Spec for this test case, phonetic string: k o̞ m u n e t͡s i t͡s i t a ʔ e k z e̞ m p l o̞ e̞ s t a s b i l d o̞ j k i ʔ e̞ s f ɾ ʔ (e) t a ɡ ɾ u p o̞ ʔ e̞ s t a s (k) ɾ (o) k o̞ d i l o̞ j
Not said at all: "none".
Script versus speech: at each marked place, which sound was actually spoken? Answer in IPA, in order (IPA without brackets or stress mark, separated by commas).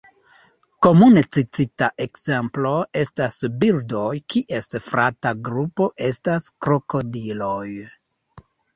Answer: a, k, o